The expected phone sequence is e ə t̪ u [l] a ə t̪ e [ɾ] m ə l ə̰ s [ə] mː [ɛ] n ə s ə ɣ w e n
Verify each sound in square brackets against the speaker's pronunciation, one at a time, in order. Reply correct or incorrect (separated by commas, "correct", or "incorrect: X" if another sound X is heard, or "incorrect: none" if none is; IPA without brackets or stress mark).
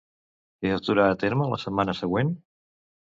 incorrect: ɾ, correct, correct, incorrect: a